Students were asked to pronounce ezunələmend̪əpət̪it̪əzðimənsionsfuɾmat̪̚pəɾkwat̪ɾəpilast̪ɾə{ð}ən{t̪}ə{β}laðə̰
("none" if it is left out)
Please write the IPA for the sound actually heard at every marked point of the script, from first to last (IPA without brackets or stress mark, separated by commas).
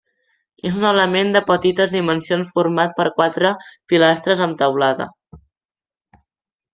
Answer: z, t̪, w